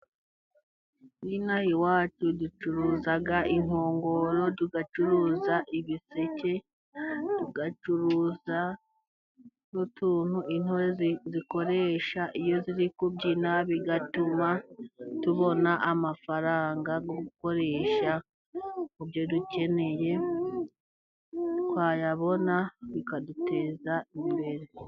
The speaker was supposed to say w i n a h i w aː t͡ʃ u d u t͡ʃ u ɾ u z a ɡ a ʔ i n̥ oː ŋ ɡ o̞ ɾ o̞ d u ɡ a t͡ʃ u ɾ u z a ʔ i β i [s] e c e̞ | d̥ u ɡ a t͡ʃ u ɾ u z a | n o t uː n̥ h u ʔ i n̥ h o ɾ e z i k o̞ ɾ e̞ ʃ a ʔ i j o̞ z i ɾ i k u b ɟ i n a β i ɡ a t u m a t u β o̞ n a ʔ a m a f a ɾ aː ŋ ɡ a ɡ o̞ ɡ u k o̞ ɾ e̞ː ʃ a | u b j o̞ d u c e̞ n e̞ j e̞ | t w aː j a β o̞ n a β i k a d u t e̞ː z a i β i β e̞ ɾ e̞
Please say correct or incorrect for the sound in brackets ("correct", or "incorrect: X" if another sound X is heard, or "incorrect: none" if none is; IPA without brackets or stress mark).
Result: correct